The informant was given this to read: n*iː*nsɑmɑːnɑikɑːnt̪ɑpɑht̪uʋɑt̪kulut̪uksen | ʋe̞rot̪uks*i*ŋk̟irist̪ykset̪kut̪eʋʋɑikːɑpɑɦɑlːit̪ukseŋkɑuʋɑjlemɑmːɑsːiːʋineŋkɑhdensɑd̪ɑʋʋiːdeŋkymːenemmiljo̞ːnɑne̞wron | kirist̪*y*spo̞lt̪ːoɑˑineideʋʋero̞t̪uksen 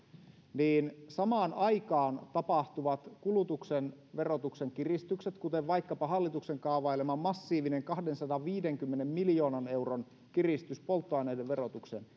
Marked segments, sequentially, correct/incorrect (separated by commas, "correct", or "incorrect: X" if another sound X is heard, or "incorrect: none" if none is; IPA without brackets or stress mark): correct, incorrect: e, correct